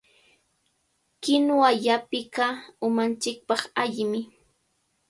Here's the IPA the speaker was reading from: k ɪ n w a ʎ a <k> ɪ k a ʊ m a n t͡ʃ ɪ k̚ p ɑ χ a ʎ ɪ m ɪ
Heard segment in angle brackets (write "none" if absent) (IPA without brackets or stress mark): p